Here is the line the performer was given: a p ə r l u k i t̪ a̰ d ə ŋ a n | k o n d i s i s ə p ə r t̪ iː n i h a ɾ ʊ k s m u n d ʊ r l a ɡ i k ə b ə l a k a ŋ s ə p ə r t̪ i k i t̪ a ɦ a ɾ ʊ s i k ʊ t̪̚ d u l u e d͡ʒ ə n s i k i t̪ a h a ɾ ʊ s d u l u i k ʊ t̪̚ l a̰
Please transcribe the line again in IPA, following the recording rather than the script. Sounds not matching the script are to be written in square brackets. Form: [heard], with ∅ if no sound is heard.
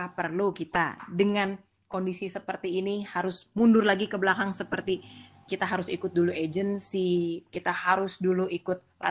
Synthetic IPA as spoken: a p ə r l u k i t̪ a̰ d ə ŋ a n | k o n d i s i s ə p ə r t̪ iː n i h a ɾ ʊ [∅] s m u n d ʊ r l a ɡ i k ə b ə l a k a ŋ s ə p ə r t̪ i k i t̪ a ɦ a ɾ ʊ s i k ʊ t̪̚ d u l u e d͡ʒ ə n s i k i t̪ a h a ɾ ʊ s d u l u i k ʊ t̪̚ l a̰